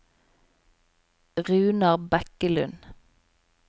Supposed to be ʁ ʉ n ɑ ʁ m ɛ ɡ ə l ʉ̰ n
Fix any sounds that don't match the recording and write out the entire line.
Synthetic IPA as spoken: ʁ ʉː n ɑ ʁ b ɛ k ə l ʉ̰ n

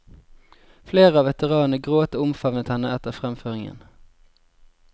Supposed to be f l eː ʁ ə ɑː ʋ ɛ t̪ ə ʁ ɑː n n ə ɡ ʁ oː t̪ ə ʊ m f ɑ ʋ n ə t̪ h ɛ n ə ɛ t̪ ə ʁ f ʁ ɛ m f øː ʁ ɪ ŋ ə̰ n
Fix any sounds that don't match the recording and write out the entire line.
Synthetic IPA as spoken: f l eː ʁ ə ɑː ʋ ɛ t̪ ə ʁ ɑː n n ə ɡ ʁ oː t̪ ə ʊ m f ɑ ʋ n ə t̪ h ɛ n ə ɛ t̪ ə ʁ f ʁ ɛ m f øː ʁ ɪ ŋ ə̰ n

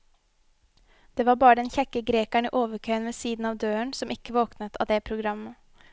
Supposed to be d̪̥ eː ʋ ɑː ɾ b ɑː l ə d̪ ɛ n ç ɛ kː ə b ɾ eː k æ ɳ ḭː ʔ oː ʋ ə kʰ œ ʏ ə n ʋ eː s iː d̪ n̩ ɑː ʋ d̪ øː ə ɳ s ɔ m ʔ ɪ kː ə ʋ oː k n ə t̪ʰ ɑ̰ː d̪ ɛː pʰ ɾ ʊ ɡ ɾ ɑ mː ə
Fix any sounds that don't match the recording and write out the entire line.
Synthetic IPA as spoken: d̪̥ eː ʋ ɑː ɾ b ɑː ɾ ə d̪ ɛ n ç ɛ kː ə ɡ ɾ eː k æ ɳ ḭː ʔ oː ʋ ə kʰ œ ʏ ə n ʋ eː s iː d̪ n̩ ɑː ʋ d̪ øː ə ɳ s ɔ m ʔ ɪ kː ə ʋ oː k n ə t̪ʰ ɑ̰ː d̪ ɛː pʰ ɾ ʊ ɡ ɾ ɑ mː ə

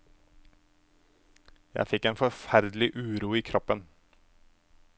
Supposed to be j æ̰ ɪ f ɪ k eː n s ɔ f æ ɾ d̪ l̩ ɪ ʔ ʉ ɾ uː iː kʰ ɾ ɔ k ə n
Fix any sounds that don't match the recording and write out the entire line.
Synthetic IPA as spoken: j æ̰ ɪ f ɪ k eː n f ɔ f æ ɾ d̪ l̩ ɪ ʔ ʉː ɾ uː iː kʰ ɾ ɔ p ə n

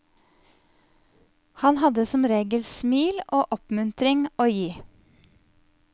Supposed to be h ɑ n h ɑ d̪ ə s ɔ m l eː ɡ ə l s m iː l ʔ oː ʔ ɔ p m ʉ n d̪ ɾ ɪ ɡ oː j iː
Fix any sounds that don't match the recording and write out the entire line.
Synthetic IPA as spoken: h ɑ n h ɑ d̪ ə s ɔ m ɾ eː ɡ ə l s m iː l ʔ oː ʔ ɔ p m ʉ n t̪ ɾ ɪ ŋ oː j iː

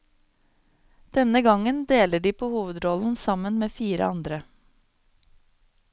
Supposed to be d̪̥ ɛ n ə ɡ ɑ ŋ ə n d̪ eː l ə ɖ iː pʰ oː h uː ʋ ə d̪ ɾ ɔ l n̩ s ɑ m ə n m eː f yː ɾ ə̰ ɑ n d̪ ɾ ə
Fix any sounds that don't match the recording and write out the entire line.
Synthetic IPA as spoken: d̪̥ ɛ n ə ɡ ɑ ŋ ə n d̪ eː l ə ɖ iː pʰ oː h uː ʋ ə d̪ ɾ ɔ l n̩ s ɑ m ə n m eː f iː ɾ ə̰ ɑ n d̪ ɾ ə

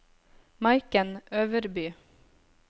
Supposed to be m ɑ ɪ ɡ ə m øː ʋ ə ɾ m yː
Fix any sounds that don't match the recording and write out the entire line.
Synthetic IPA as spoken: m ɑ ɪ k ə n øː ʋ ə ɾ b yː

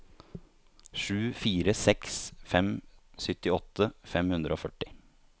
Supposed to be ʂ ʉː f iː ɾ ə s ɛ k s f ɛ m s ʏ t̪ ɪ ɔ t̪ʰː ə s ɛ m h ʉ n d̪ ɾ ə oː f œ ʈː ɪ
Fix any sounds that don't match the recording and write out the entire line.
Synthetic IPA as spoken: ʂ ʉː f iː ɾ ə s ɛ k s f ɛ m s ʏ t̪ ɪ ɔ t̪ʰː ə f ɛ m h ʉ n d̪ ɾ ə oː f œ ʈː ɪ

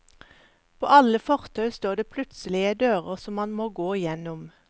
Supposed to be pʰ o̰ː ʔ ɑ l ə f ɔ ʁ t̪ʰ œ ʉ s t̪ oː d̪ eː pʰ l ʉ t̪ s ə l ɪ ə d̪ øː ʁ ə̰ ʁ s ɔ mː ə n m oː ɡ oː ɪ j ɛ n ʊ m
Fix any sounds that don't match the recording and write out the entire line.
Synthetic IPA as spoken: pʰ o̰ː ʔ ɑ l ə f ɔ ʁ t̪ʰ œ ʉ s t̪ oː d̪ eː pʰ l ʉ t̪ s ə l ɪ ə d̪ øː ʁ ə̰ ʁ s ɔ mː ɑ n m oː ɡ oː ɪ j ɛ n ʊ m

